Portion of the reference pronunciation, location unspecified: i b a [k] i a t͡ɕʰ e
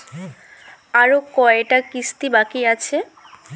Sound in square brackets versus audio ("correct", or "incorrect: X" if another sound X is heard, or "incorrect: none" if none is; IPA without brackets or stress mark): correct